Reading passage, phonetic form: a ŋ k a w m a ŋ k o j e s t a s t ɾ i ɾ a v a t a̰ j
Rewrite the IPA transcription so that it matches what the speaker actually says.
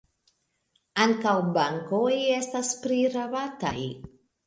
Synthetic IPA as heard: a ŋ k a w b a ŋ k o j e s t a s p ɾ i ɾ a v a t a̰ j